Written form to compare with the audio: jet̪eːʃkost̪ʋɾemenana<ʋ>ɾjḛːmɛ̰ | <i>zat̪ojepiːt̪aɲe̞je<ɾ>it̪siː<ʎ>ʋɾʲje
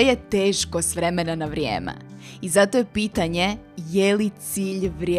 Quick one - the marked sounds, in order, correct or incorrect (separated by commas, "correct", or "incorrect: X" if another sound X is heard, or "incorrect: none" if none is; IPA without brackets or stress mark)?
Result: correct, correct, incorrect: l, correct